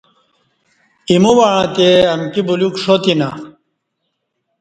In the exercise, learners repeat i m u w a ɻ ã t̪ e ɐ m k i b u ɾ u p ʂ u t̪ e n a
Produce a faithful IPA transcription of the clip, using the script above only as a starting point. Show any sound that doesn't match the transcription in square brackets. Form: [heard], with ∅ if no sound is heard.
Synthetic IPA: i m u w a ɻ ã t̪ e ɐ m k i b u [l] u [k] ʂ [o] t̪ [i] n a